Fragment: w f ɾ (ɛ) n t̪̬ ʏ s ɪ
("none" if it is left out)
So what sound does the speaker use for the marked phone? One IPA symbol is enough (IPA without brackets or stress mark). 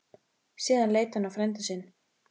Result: ɛ